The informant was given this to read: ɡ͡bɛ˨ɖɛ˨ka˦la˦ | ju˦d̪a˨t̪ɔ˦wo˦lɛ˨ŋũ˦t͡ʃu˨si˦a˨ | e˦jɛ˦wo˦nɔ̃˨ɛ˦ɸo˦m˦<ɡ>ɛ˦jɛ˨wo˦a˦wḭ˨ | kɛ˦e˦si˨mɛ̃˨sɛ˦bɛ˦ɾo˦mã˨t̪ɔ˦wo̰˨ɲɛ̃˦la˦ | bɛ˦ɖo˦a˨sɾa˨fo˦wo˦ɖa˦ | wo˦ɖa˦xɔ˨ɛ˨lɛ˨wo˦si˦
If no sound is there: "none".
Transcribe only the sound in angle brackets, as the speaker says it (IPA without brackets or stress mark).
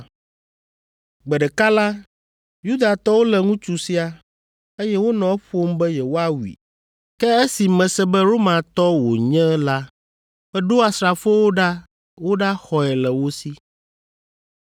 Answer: b